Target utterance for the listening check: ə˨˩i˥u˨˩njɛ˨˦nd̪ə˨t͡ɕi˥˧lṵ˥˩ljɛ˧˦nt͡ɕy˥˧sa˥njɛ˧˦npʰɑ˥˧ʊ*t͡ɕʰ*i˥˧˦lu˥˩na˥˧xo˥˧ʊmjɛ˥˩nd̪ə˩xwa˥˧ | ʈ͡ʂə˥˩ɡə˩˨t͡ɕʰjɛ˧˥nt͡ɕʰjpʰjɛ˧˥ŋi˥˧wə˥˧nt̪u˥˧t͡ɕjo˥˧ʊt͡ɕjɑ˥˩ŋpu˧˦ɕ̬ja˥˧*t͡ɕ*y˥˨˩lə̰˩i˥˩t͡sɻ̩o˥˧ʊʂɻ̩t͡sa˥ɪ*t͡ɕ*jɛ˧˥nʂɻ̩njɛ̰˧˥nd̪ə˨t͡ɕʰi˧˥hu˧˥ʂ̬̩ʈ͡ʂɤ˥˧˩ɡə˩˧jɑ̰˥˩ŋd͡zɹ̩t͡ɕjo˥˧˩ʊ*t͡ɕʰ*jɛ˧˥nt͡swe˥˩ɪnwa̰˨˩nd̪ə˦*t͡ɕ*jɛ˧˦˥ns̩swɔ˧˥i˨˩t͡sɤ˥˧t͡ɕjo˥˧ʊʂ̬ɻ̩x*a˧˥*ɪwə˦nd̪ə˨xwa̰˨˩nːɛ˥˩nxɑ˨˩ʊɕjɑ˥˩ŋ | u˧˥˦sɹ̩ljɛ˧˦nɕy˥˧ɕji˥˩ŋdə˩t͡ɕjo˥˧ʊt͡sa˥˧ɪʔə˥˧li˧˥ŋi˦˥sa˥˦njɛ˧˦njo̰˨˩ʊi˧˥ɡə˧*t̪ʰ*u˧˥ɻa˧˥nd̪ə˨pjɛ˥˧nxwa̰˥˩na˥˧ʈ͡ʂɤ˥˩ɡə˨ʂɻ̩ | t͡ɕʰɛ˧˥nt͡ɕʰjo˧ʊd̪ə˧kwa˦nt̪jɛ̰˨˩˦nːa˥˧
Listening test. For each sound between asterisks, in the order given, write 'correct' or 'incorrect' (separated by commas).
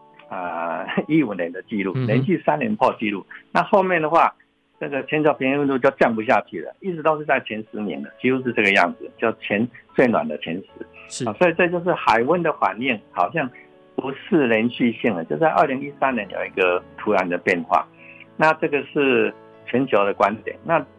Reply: incorrect, incorrect, incorrect, correct, incorrect, incorrect, correct